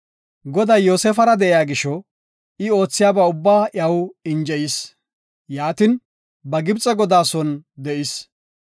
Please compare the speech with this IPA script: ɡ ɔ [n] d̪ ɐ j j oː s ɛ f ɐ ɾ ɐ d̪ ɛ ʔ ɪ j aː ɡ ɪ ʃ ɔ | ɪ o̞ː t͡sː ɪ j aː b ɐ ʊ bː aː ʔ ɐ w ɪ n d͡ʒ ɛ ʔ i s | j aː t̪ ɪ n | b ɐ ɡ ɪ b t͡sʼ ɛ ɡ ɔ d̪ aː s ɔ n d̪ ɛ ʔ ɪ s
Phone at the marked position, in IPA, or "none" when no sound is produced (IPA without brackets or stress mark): none